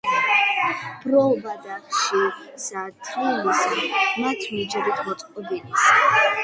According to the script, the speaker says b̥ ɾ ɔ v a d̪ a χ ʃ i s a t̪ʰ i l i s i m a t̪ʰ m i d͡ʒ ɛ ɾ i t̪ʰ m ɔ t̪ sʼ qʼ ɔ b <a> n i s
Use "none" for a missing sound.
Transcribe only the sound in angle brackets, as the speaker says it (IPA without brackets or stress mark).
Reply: i